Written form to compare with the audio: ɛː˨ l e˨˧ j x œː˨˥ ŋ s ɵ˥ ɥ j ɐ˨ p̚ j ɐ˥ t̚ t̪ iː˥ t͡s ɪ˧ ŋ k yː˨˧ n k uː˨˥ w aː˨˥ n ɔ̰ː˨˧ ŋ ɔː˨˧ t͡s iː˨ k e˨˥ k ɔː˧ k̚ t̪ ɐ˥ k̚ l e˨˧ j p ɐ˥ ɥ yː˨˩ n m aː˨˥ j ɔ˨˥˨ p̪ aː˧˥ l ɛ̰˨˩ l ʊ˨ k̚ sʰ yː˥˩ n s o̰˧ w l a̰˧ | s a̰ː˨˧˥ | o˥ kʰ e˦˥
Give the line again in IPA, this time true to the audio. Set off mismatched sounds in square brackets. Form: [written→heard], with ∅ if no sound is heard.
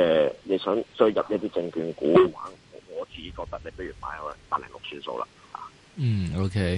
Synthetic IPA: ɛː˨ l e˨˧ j [x→s] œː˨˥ ŋ s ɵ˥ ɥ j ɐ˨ p̚ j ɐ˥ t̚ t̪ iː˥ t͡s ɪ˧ ŋ k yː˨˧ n k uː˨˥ w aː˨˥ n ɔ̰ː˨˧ ŋ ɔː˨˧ t͡s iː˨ k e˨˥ k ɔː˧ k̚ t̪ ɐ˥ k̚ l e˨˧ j p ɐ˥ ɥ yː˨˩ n m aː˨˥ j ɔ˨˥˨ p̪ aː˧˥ l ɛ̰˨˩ l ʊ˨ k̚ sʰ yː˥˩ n s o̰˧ w l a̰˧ | [s→h] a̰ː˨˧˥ | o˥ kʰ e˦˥